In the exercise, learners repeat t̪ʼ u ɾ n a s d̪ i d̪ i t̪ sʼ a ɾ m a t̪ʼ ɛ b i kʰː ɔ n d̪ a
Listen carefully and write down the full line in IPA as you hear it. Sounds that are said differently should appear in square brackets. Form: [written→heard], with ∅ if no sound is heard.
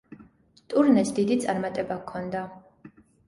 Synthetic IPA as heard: t̪ʼ u ɾ n [a→ɛ] s d̪ i d̪ i t̪ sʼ a ɾ m a t̪ʼ ɛ b [i→a] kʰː ɔ n d̪ a